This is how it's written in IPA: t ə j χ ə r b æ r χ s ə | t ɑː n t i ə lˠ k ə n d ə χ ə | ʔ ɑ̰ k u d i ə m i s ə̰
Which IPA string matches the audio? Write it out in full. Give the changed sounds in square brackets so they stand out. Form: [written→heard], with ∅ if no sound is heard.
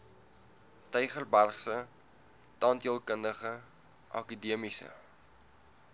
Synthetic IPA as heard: t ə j χ ə r b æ r χ s ə | t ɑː n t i ə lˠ k ə n d ə χ ə | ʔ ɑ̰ k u d i ə m i s ə̰